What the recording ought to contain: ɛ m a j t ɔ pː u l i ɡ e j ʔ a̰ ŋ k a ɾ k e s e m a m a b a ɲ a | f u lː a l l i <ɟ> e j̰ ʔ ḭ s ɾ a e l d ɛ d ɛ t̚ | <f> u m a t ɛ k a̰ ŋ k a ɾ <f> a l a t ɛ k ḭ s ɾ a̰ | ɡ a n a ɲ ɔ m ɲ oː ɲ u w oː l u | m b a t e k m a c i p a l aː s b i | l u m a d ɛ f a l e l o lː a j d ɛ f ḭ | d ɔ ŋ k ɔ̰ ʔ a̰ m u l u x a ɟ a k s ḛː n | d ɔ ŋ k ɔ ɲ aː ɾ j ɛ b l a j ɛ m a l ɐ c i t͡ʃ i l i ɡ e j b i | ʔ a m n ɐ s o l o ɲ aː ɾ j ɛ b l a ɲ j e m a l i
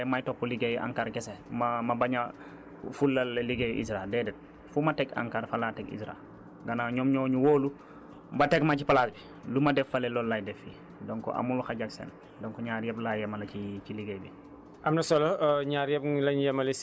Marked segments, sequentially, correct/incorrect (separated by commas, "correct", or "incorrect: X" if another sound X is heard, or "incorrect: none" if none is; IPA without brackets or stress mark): incorrect: ɡ, correct, correct